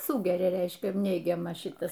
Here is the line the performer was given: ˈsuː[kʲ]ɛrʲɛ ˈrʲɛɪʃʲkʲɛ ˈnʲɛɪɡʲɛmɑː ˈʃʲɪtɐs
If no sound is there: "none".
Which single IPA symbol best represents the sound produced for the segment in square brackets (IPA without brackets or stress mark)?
ɡʲ